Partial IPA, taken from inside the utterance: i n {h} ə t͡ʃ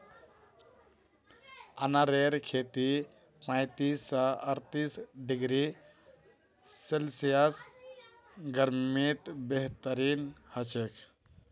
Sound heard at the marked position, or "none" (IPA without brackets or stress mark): h